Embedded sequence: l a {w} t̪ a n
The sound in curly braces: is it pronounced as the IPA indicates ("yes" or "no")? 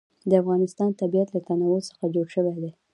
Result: no